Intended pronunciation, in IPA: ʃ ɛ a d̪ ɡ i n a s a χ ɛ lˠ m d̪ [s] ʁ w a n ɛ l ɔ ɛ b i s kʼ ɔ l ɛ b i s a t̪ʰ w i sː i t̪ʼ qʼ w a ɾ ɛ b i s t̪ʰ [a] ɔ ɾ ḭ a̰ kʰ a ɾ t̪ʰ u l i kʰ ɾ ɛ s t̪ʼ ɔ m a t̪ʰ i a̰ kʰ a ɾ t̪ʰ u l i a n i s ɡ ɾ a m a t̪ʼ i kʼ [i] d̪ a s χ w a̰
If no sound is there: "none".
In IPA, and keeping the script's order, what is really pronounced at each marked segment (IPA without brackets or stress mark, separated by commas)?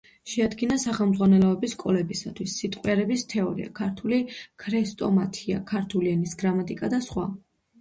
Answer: z, ɛ, a